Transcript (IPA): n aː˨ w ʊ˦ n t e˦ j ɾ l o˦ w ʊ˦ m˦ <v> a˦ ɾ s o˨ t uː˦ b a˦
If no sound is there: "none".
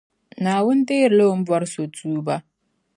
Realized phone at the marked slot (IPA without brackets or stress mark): b